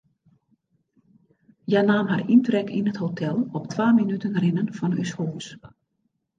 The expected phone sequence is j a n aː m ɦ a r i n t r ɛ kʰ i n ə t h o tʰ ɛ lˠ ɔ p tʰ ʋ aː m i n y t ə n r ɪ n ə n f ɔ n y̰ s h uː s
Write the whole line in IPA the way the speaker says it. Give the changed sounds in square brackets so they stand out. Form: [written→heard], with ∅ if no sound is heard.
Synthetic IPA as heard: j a n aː m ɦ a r i n t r ɛ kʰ i n ə t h o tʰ ɛ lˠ ɔ p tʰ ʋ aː m i n y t ə n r ɪ n ə n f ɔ n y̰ s h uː s